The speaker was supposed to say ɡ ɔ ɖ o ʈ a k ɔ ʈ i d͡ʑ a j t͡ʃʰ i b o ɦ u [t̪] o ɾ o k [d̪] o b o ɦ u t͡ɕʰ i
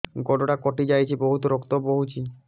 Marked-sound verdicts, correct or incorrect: correct, incorrect

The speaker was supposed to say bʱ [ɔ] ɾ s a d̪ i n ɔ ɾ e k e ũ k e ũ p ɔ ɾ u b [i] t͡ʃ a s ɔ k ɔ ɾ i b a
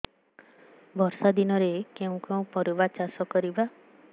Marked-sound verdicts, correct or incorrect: correct, incorrect

